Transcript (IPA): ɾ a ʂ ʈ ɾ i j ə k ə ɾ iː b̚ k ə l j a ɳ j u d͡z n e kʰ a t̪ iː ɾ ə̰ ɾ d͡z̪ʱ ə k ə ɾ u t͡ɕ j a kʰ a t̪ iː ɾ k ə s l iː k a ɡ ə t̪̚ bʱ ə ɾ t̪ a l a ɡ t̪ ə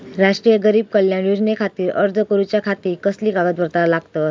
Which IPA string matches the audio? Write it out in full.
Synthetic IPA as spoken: ɾ a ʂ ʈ ɾ i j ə ɡ ə ɾ iː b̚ k ə l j a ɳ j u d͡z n e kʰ a t̪ iː ɾ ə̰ ɾ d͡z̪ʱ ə k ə ɾ u t͡ɕ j a kʰ a t̪ iː ɾ k ə s l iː k a ɡ ə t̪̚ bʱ ə ɾ t̪ a l a ɡ t̪ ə